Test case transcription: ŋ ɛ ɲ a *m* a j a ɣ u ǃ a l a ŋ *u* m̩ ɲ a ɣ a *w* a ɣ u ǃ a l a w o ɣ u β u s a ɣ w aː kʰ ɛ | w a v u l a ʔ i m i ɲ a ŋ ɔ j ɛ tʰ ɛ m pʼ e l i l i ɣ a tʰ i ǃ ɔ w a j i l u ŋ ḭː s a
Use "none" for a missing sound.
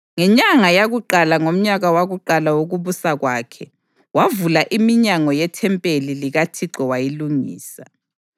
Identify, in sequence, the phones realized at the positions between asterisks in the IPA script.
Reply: ŋ, o, w

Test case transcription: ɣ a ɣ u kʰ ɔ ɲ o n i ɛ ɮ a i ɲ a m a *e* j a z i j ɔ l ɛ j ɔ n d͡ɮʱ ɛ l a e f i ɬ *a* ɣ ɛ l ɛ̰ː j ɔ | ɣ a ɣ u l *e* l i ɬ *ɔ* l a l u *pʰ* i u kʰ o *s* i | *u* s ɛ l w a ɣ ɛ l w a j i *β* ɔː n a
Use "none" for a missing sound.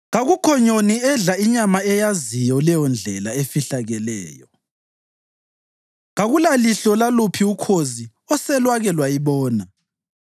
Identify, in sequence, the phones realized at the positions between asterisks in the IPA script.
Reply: ɛ, a, a, ɔ, pʰ, z, ɔ, β

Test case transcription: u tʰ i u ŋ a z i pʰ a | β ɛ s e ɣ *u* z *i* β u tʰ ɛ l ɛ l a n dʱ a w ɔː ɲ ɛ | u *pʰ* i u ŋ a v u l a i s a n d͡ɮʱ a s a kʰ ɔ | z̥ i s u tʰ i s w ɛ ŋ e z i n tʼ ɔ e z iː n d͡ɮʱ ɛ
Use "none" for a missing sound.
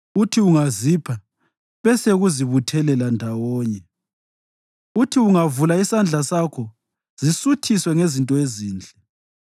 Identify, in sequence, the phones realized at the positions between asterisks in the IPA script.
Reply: u, i, tʰ

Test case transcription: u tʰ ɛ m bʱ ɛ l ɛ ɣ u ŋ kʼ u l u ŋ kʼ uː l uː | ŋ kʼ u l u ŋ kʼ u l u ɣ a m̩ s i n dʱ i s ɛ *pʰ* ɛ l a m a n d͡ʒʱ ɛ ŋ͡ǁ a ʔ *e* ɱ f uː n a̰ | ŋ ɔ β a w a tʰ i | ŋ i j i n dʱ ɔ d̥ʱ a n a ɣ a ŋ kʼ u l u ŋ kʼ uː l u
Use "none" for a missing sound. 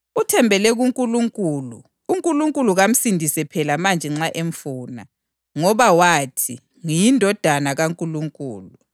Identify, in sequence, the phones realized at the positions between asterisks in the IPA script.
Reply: pʰ, e

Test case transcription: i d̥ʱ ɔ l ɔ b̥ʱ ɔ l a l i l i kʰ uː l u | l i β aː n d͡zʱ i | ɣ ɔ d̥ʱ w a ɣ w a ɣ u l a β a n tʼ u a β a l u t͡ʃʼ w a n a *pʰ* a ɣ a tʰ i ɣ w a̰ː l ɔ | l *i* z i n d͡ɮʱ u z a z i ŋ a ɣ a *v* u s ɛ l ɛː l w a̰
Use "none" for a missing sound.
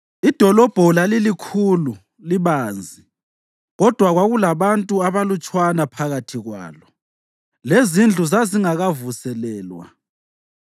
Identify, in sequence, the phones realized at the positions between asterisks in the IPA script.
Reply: pʰ, e, v

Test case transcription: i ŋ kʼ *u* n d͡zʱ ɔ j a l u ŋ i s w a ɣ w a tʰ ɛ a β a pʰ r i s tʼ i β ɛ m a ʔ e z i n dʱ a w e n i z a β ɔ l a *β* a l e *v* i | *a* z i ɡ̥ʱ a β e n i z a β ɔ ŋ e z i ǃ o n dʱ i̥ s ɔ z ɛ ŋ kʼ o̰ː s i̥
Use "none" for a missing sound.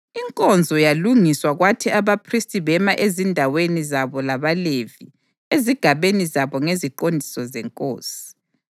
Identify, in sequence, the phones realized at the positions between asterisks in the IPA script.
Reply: ɔ, β, v, e

